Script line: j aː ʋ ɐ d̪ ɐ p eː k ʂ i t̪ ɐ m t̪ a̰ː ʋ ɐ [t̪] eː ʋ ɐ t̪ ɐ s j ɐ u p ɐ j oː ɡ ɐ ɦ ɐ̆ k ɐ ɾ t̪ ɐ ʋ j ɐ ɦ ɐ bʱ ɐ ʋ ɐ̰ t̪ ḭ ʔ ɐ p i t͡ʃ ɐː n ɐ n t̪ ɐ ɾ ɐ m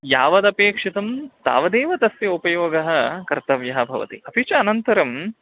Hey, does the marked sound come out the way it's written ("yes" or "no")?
no